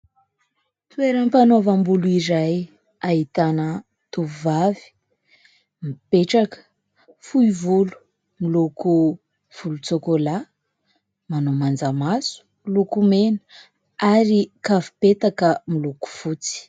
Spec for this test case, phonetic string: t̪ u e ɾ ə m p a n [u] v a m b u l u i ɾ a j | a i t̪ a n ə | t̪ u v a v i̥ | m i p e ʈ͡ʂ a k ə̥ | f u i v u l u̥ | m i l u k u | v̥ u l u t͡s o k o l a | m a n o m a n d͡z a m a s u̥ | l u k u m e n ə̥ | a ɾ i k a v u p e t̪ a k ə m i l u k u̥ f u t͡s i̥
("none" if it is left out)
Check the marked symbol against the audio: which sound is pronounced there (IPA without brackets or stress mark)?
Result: o